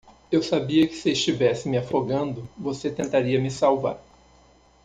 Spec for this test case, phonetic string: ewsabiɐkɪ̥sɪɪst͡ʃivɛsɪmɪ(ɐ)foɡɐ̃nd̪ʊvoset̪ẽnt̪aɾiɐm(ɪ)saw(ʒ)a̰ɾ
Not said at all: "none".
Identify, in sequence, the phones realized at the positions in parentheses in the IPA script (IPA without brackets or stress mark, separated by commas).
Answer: a, ɪ, v